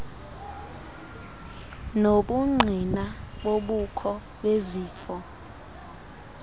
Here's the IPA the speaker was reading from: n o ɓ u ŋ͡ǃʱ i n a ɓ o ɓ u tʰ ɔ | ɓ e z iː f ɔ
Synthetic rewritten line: n o ɓ u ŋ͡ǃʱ i n a ɓ o ɓ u kʰ ɔ | ɓ e z iː f ɔ

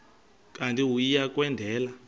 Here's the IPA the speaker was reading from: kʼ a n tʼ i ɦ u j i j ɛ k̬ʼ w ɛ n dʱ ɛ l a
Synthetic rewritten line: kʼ a n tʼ i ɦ u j i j a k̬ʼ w ɛ n dʱ ɛː l a

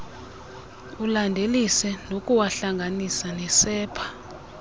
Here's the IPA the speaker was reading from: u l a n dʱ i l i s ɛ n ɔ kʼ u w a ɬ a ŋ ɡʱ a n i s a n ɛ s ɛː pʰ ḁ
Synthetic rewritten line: u l a n dʱ e l i s ɛ n o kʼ u w a ɬ a ŋ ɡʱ a n i s a n ɛ s ɛː pʰ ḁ

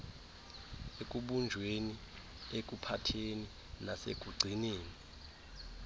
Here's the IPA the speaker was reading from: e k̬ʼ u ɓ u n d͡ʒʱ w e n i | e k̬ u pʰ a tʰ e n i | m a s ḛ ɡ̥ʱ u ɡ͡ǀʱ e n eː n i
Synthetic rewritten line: e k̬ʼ u ɓ u n d͡ʒʱ w e n i | e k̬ u pʰ a tʰ e n i | n a s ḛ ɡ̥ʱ u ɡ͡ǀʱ i n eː n i

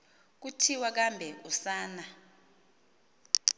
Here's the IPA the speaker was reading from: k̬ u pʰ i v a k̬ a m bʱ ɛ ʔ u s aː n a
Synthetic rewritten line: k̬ u tʰ i w a k̬ a m bʱ ɛ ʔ u s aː n a

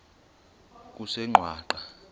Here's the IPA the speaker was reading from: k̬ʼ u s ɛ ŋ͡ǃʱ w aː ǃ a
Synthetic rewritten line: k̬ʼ u s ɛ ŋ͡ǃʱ w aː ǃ a

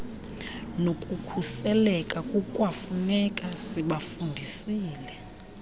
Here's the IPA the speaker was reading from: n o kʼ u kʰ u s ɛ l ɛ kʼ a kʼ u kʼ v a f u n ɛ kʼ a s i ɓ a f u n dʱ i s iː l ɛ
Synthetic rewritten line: n o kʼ u kʰ u s ɛ l ɛ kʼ a kʼ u kʼ w a f u n ɛ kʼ a s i ɓ a f u n dʱ i s iː l ɛ

